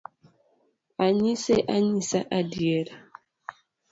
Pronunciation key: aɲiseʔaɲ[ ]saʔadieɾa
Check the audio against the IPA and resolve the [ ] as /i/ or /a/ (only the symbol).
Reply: i